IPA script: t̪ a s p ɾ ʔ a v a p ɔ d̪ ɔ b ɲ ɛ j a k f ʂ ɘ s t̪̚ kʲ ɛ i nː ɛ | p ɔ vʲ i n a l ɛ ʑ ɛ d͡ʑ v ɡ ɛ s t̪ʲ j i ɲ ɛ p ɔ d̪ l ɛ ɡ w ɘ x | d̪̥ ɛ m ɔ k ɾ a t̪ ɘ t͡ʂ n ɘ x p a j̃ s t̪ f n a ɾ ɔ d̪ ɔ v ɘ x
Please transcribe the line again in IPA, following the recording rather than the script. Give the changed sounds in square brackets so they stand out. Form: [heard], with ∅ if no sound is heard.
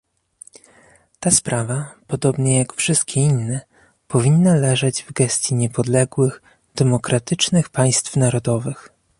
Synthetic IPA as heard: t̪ a s p ɾ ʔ a v a p ɔ d̪ ɔ b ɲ ɛ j a k f ʂ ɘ s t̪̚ kʲ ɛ i nː ɛ | p ɔ vʲ i [nː] a l ɛ [ʐ] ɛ d͡ʑ v ɡ ɛ s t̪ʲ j i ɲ ɛ p ɔ d̪ l ɛ ɡ w ɘ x | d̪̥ ɛ m ɔ k ɾ a t̪ ɘ t͡ʂ n ɘ x p a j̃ s t̪ f n a ɾ ɔ d̪ ɔ v ɘ x